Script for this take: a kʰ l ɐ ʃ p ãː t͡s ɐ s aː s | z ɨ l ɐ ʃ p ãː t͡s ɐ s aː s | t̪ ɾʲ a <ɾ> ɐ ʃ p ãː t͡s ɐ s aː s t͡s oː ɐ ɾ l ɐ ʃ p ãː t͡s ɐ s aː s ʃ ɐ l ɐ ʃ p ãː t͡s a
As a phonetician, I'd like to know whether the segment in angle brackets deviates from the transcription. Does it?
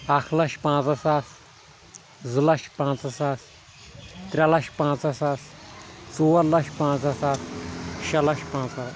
yes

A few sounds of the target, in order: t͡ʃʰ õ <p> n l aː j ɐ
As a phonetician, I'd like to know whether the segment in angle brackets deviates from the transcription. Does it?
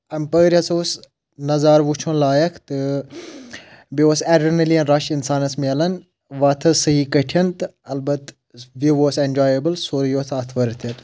yes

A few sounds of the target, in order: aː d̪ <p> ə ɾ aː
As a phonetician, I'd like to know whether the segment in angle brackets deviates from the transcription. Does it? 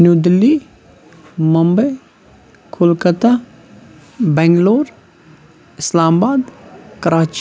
yes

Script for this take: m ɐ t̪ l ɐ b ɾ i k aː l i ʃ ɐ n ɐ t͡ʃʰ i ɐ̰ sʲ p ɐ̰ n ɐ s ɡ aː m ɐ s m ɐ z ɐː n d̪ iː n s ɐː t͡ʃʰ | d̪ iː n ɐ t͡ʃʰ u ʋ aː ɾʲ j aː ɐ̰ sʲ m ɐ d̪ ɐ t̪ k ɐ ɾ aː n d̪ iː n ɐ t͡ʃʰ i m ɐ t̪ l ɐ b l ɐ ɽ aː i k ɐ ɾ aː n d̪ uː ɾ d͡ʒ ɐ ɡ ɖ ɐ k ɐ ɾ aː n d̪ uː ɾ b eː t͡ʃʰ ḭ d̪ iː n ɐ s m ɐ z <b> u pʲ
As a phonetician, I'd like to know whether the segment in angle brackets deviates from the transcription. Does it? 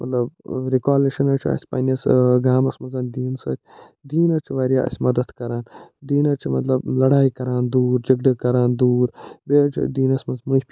yes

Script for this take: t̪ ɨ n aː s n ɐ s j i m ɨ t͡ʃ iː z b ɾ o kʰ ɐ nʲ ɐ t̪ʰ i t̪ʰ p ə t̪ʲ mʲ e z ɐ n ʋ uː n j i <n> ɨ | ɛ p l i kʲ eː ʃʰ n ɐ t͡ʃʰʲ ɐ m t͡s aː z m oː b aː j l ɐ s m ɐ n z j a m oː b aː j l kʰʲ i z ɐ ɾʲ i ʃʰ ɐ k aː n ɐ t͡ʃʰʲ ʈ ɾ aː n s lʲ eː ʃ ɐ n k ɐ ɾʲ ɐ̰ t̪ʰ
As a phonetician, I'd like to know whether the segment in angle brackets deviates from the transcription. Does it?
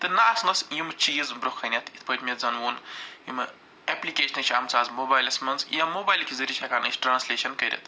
yes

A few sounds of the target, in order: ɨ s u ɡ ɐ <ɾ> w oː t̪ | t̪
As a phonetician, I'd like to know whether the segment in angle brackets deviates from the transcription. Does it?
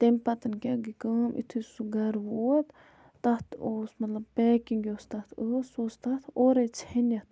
no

